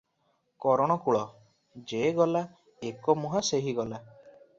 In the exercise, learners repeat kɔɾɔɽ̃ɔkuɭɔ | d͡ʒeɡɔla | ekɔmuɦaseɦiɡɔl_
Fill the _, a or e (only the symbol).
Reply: a